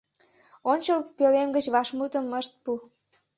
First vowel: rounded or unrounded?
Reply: rounded